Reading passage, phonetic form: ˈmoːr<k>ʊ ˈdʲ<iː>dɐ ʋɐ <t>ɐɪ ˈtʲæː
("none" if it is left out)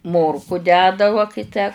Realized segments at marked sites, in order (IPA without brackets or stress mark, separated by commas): k, æː, k